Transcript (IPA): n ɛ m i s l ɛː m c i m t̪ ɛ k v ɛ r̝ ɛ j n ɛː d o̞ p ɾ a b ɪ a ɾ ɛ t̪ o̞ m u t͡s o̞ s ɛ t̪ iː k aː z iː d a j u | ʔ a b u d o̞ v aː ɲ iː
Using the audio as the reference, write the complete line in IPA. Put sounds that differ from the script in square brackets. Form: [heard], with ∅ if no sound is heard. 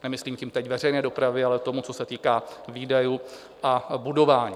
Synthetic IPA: n ɛ m [ɪ] s l [iː] m c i m t̪ ɛ [c] v ɛ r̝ ɛ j n ɛː d o̞ p ɾ a [v] ɪ a [l] ɛ t̪ o̞ m u t͡s o̞ s ɛ t̪ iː k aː [v] iː d a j u | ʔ a b u d o̞ v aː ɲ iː